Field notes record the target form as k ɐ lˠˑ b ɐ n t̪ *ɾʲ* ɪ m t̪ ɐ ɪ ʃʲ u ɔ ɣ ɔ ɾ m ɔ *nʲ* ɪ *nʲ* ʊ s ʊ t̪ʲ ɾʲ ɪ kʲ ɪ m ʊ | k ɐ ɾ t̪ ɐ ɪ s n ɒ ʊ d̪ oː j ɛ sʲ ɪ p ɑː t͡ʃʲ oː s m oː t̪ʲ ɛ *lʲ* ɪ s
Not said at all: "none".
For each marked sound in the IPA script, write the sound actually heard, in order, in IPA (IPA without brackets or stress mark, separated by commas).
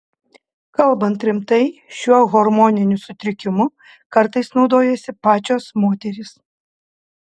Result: ɾʲ, nʲ, nʲ, ɾʲ